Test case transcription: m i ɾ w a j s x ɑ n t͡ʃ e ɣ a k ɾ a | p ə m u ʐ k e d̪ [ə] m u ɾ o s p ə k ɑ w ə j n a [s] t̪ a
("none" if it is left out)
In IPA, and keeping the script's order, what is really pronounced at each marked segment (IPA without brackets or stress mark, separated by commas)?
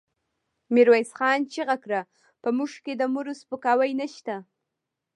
ə, ʃ